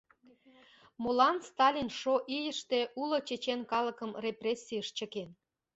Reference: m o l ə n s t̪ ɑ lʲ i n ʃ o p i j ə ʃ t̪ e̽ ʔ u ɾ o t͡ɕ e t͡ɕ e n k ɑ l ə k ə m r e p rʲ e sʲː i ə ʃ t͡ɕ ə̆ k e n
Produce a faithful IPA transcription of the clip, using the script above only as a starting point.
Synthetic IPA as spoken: m o l ɑ n s t̪ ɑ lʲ i n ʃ o ʔ i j ə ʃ t̪ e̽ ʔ u l o t͡ɕ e t͡ɕ e n k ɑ l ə k ə m r e p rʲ e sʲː i ə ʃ t͡ɕ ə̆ k e n

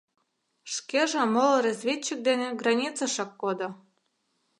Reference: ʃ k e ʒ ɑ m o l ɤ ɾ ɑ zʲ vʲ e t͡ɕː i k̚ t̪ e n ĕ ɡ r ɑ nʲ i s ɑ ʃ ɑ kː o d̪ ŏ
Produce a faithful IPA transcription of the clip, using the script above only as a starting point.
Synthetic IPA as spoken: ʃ k e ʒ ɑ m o l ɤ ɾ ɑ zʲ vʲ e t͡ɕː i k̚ d̪ e n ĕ ɡ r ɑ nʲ i t͡s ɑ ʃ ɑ kː o d̪ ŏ

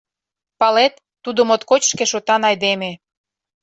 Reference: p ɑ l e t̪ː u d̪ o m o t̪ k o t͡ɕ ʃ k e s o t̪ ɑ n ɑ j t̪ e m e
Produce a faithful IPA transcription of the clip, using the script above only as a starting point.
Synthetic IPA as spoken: p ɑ l e t̪ː u d̪ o m o t̪ k o t͡ɕ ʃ k e ʃ o t̪ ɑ n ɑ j d̪ e m e

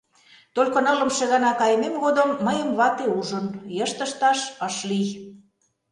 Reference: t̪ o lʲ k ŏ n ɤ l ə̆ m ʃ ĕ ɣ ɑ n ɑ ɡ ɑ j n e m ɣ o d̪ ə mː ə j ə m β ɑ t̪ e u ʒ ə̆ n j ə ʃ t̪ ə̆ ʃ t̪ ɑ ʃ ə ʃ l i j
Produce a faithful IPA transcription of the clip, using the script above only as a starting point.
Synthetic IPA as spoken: t̪ o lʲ k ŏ n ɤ l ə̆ m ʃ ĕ ɣ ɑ n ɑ k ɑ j m e m ɣ o d̪ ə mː ə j ə m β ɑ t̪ e u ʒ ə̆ n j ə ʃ t̪ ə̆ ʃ t̪ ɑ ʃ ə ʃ l i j

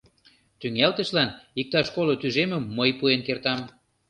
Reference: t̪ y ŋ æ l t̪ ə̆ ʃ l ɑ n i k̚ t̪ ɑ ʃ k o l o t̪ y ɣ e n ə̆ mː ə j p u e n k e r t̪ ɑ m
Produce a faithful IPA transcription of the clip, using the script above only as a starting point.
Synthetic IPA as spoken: t̪ y ŋ æ l t̪ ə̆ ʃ l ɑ n i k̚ t̪ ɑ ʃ k o l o t̪ y ʒ e m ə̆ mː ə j p u e n k e r t̪ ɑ m

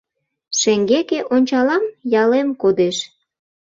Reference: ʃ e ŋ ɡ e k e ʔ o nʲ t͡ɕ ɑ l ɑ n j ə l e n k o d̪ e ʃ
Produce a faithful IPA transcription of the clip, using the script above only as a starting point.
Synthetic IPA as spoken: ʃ e ŋ ɡ e k e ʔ o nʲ t͡ɕ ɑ l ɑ m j ɑ l e m k o d̪ e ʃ

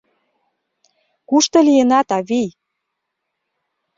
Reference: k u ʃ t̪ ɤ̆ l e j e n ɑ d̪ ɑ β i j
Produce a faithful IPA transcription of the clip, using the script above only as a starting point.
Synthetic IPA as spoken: k u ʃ t̪ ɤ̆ l i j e n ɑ t̪ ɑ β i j

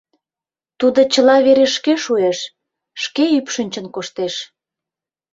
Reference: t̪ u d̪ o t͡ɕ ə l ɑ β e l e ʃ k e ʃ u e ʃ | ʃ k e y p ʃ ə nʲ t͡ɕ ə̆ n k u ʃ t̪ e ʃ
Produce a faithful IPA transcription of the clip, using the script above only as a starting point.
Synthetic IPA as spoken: t̪ u d̪ o t͡ɕ ə l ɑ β e ɾ e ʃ k e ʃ u e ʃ | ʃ k e y p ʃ ə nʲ t͡ɕ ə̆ n k o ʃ t̪ e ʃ

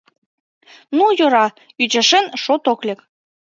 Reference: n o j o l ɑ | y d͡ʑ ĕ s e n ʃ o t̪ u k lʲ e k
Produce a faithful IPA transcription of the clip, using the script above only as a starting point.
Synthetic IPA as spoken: n u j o ɾ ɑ | y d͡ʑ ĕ ʃ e n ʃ o t̪ o k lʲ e k

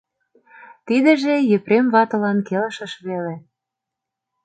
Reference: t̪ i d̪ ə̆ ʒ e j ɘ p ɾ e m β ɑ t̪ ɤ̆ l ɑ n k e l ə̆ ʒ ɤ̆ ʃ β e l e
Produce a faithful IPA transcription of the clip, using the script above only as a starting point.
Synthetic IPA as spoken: t̪ i d̪ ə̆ ʒ e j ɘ p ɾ e m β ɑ t̪ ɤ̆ l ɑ n k e l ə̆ ʃ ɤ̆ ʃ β e l e

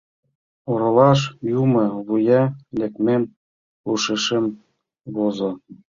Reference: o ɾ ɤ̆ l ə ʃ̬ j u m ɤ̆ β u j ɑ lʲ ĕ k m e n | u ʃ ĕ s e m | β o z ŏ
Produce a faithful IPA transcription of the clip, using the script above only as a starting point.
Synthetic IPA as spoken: o ɾ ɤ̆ l ɑ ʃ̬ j u m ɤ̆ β u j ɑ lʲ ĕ k m e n | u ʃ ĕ ʃ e m | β o z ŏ

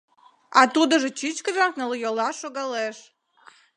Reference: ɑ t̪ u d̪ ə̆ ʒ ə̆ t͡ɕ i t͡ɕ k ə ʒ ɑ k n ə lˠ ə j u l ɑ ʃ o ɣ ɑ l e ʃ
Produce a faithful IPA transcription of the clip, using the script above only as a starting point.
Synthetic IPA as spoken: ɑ t̪ u d̪ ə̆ ʒ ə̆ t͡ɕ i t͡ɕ k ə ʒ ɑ k n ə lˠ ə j o l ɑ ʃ o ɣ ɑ l e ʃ

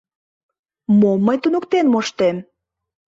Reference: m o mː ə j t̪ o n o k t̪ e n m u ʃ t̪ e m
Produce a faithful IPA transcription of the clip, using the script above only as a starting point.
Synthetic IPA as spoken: m o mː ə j t̪ u n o k t̪ e n m o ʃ t̪ e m

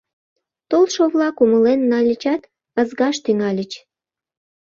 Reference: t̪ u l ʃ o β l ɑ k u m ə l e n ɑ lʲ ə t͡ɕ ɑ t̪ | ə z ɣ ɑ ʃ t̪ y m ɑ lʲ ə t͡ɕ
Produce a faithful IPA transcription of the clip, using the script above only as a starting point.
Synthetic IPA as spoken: t̪ o l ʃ o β l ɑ k u m ə l e nː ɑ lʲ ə t͡ɕ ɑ t̪ | ə z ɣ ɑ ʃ t̪ y ŋ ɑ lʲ ə t͡ɕ

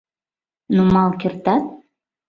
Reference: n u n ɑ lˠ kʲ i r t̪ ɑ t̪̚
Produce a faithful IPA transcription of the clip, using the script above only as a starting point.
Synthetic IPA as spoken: n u m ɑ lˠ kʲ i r t̪ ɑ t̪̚

